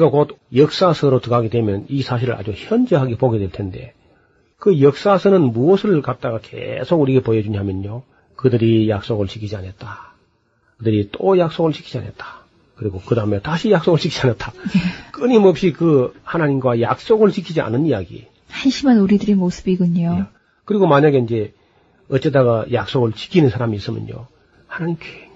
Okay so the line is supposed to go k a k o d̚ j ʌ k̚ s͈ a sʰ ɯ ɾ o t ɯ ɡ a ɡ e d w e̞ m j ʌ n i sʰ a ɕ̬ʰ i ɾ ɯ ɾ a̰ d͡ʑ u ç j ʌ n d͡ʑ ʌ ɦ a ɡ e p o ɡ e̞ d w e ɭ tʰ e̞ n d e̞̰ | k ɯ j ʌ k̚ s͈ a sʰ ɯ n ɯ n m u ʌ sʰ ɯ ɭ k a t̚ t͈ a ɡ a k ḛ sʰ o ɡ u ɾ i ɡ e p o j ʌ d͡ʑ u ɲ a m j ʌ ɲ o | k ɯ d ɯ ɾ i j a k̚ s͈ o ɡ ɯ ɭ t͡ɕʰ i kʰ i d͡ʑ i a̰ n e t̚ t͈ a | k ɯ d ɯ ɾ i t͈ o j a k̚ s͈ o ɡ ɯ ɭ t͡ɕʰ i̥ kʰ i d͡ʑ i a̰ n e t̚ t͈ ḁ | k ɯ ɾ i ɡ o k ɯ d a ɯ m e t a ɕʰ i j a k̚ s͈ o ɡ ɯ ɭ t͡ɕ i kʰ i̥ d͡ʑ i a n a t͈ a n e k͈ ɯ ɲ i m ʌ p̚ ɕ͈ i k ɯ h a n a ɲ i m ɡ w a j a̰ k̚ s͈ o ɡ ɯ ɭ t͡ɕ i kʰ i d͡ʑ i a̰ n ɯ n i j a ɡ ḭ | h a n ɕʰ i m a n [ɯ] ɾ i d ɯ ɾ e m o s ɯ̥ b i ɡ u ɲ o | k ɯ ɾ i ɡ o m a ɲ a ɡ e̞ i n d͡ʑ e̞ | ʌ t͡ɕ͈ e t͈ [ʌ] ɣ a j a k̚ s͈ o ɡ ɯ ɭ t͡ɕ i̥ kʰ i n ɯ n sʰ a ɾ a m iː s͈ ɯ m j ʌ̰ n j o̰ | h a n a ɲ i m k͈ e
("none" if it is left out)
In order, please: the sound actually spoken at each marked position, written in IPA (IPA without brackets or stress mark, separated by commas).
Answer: u, a